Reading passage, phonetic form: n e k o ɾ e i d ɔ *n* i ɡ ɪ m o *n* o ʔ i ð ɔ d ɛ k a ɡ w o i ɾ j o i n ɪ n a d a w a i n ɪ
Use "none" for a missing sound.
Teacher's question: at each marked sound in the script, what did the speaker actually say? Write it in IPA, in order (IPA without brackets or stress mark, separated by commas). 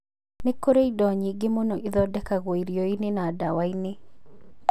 ɲ, n